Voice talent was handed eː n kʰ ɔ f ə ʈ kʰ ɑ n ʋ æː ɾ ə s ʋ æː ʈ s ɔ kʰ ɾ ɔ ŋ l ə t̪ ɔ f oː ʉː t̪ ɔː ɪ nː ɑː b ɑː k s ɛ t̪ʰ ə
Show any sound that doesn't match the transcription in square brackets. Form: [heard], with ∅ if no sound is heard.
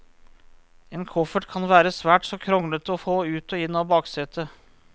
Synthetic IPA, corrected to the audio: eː n kʰ ɔ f ə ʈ kʰ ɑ n ʋ æː ɾ ə s ʋ æː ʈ s ɔ kʰ ɾ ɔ ŋ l ə t̪ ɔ f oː ʉː t̪ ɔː ɪ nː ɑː b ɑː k s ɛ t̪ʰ ə